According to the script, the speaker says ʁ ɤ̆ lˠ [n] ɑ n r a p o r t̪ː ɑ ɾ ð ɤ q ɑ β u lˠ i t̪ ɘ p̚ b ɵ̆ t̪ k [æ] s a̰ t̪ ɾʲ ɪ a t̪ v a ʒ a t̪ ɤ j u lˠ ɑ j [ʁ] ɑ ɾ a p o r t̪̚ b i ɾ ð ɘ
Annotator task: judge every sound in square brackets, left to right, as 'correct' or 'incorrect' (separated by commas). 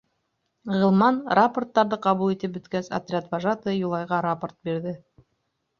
incorrect, correct, correct